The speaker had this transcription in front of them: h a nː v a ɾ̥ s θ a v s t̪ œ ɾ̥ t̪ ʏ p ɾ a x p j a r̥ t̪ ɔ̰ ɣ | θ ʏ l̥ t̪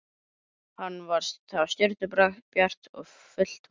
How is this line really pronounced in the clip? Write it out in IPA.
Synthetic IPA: h a nː v a ɾ̥ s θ a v s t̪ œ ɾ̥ t̪ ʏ p ɾ a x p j a r̥ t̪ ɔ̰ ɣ | f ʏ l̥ t̪